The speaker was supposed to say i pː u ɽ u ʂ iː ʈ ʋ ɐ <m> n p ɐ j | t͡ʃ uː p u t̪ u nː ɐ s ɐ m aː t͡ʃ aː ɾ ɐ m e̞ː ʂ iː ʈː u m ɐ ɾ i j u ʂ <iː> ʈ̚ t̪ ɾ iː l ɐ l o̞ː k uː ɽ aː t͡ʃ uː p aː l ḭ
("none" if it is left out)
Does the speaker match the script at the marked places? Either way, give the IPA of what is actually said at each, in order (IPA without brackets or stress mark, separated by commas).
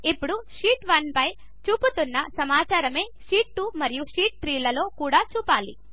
none, iː